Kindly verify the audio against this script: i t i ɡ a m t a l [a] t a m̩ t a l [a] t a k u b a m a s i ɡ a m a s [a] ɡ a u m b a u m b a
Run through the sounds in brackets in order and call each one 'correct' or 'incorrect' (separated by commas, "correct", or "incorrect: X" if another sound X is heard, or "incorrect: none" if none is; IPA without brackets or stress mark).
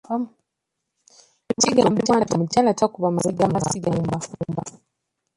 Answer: correct, correct, incorrect: i